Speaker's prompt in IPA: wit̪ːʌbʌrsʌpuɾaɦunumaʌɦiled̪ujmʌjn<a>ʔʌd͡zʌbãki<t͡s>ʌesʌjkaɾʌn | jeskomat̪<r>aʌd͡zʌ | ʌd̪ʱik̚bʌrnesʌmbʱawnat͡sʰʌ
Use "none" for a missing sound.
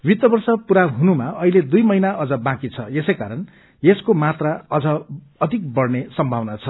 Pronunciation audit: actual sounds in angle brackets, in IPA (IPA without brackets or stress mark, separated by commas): a, t͡sʰ, r